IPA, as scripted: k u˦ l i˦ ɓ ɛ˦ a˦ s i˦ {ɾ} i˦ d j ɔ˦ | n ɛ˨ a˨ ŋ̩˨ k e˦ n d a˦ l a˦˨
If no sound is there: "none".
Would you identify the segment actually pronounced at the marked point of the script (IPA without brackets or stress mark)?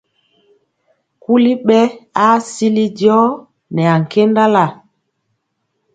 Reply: l